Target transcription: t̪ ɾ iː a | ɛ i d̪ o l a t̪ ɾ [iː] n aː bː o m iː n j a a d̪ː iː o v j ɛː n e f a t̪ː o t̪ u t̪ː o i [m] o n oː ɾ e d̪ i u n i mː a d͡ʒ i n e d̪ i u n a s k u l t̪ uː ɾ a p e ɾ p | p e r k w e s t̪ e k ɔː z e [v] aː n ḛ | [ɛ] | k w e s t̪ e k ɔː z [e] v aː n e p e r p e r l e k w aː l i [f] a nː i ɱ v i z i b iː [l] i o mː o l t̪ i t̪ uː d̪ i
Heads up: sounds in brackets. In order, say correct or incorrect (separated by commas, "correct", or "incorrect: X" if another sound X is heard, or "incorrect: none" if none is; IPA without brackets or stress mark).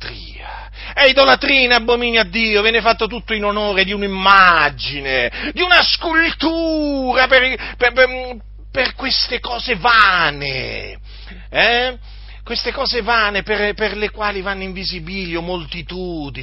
correct, incorrect: n, correct, correct, correct, incorrect: v, correct